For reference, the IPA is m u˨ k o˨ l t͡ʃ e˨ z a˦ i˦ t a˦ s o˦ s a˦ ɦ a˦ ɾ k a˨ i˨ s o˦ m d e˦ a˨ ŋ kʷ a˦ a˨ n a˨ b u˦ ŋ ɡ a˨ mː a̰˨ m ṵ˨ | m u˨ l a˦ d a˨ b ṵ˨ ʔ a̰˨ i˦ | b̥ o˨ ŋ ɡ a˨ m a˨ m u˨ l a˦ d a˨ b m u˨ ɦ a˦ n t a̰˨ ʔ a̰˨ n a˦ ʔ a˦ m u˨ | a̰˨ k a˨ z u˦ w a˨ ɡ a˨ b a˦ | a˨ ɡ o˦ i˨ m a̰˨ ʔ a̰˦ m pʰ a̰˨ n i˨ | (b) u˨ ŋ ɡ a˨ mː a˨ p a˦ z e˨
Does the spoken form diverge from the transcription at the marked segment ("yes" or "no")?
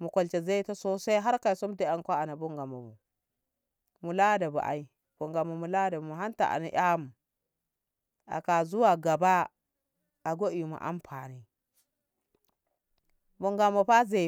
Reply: no